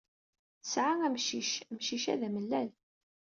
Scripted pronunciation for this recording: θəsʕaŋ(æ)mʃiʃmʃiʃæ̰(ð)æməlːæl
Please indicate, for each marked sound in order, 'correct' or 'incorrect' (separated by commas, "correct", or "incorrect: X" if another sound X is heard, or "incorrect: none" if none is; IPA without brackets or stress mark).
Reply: correct, correct